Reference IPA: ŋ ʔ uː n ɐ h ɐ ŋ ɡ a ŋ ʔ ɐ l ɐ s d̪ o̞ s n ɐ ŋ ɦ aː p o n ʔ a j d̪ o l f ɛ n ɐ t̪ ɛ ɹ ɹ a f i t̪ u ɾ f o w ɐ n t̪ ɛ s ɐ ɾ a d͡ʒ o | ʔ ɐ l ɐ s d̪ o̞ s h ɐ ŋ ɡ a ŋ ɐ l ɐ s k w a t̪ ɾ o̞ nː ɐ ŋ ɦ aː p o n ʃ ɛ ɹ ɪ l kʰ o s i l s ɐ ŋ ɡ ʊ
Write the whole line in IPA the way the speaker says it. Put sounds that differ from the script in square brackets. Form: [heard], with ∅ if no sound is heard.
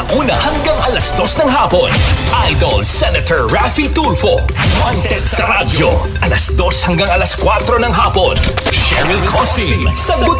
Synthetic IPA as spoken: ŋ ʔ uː n ɐ h ɐ ŋ ɡ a ŋ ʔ ɐ l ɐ s d̪ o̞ s n ɐ ŋ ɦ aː p o n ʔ a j d̪ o l [s] ɛ n ɐ t̪ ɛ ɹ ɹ a f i t̪ u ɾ f o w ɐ n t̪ ɛ s ɐ ɾ a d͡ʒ o | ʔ ɐ l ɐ s d̪ o̞ s h ɐ ŋ ɡ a ŋ ɐ l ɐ s k w a t̪ ɾ o̞ [n] ɐ ŋ ɦ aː p o n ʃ ɛ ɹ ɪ l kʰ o s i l s ɐ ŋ ɡ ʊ

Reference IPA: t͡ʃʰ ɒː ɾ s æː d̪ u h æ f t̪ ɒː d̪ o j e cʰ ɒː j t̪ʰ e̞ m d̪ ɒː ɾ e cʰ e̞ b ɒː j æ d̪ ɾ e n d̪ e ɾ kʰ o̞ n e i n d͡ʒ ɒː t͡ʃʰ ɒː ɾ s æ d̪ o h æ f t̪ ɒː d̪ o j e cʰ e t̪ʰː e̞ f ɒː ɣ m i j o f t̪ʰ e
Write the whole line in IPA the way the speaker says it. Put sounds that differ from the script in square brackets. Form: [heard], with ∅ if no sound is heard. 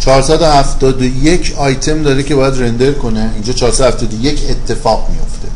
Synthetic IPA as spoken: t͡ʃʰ ɒː ɾ s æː d̪ [o] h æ f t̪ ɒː d̪ o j e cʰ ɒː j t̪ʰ e̞ m d̪ ɒː ɾ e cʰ e̞ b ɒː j æ d̪ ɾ e n d̪ e ɾ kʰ o̞ n e i n d͡ʒ ɒː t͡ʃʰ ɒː ɾ s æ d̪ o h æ f t̪ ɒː d̪ o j e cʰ e t̪ʰː e̞ f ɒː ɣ m i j o f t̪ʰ e

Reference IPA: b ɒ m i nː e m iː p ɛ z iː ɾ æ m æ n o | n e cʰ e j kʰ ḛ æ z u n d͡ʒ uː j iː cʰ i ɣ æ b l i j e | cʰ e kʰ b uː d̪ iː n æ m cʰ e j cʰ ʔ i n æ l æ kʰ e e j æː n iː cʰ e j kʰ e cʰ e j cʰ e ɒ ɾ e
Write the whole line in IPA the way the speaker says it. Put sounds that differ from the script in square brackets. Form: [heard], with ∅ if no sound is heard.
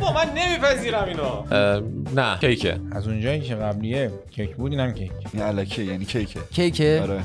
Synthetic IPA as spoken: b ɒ m [æ] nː e m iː p [æ] z iː ɾ æ m [i] n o | n [æ] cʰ e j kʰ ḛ æ z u n d͡ʒ [ɒː] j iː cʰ [e] ɣ æ b l i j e | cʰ e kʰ b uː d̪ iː n æ m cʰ e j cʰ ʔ i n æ l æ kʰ [i] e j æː n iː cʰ e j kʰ e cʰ e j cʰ e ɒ ɾ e

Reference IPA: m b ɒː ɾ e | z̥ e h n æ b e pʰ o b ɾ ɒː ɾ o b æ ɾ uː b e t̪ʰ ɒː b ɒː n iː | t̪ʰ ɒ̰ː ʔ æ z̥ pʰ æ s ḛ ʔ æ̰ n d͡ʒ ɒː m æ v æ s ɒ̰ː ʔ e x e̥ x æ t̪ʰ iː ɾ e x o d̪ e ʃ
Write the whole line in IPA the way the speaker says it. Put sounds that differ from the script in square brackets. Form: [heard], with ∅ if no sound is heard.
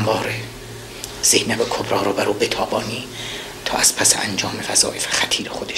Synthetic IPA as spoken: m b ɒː ɾ e | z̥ e h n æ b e [kʰ] o b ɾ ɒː ɾ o b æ ɾ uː b e t̪ʰ ɒː b ɒː n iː | t̪ʰ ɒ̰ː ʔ æ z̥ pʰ æ s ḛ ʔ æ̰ n d͡ʒ ɒː m [e] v æ [z] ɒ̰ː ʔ e [f] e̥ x æ t̪ʰ iː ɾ e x o d̪ e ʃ

